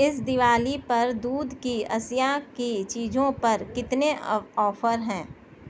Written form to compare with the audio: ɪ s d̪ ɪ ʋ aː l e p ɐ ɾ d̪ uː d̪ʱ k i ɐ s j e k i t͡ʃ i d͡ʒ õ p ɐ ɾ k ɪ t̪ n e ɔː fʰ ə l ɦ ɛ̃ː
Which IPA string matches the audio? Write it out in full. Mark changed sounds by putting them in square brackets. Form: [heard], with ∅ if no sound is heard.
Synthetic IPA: ɪ s d̪ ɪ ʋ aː l [i] p ɐ ɾ d̪ uː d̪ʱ k i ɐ s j [a] k i t͡ʃ [iː] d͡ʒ õ p ɐ ɾ k ɪ t̪ n e ɔː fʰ ə [ɾ] ɦ ɛ̃ː